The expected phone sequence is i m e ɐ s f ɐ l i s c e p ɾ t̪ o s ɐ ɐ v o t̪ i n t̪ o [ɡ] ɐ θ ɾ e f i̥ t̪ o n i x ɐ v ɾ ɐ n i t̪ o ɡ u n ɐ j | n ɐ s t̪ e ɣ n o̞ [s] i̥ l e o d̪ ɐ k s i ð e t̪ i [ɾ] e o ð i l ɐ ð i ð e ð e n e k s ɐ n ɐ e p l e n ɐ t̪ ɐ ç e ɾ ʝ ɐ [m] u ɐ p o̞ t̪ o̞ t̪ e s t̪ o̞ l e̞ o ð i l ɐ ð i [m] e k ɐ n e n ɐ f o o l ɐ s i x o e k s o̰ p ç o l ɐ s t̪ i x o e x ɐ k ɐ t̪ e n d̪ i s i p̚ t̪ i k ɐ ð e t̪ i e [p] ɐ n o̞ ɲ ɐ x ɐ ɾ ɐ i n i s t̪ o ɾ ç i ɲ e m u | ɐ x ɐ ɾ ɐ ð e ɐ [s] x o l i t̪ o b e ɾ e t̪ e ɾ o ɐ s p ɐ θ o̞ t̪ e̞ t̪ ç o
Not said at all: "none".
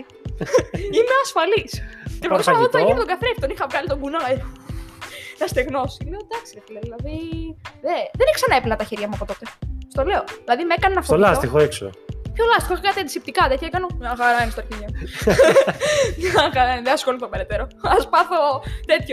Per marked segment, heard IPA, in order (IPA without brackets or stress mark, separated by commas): ɡ, s, l, m, m, k, s